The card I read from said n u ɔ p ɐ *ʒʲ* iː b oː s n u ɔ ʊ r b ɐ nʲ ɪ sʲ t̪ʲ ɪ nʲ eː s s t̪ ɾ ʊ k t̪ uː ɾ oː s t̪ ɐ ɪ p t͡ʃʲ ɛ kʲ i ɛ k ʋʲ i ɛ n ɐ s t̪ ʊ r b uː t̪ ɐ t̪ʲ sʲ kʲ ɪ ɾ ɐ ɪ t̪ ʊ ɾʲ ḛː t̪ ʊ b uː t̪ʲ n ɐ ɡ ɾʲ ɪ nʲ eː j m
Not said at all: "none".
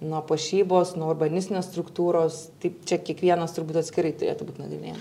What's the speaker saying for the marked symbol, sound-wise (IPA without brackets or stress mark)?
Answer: ʃʲ